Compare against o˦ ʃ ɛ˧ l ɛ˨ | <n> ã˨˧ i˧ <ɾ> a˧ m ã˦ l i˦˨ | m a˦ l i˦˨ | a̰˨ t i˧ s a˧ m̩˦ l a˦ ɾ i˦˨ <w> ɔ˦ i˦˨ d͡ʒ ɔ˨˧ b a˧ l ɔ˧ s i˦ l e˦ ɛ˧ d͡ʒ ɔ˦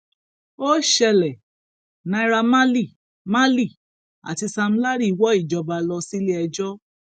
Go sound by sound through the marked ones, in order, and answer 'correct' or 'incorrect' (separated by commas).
correct, correct, correct